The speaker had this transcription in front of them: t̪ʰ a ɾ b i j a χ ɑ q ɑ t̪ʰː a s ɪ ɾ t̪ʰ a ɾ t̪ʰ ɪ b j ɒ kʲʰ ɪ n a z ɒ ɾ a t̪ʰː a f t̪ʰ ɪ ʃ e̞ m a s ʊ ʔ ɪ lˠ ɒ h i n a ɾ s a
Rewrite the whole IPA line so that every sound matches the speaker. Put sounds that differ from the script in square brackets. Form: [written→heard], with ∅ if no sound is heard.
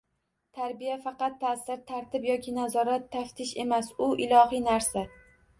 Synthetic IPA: t̪ʰ a ɾ b i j a [χ→f] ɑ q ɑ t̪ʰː a s ɪ ɾ t̪ʰ a ɾ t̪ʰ ɪ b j ɒ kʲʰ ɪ n a z ɒ ɾ a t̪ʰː a f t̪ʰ ɪ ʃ e̞ m a s ʊ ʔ ɪ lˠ ɒ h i n a ɾ s a